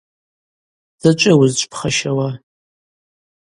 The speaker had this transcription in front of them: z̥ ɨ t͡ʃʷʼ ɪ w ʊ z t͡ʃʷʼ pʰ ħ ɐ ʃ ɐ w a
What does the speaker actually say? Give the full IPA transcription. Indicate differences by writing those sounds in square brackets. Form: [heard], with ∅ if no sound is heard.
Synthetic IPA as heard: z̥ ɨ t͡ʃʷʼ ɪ w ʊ z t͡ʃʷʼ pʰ [χ] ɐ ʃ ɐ w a